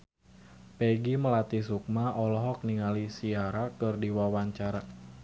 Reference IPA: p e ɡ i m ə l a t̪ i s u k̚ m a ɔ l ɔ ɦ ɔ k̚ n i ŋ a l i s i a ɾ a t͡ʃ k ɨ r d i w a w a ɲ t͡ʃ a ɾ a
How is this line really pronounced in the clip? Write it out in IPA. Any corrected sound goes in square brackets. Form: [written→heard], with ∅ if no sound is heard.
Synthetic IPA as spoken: p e ɡ i m ə l a t̪ i s u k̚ m a ɔ l ɔ ɦ ɔ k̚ n i ŋ a l i s i a ɾ a [t͡ʃ→∅] k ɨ r d i w a w a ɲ t͡ʃ a ɾ a